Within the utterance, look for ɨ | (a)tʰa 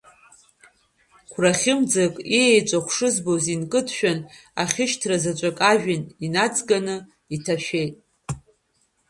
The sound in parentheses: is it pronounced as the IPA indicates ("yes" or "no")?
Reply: no